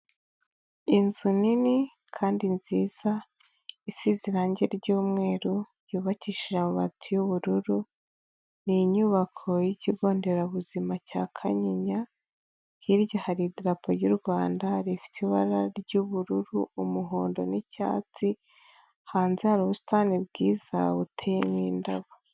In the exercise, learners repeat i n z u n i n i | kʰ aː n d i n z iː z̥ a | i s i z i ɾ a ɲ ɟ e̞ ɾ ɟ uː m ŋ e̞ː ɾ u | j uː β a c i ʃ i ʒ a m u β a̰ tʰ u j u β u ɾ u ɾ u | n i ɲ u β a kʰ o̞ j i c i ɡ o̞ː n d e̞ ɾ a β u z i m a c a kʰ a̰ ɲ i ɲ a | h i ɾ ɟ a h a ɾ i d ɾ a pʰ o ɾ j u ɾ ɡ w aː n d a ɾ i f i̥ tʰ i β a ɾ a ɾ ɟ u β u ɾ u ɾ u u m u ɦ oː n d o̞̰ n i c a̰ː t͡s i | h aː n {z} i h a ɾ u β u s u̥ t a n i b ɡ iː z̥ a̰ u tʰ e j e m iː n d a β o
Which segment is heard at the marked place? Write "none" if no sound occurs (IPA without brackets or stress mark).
z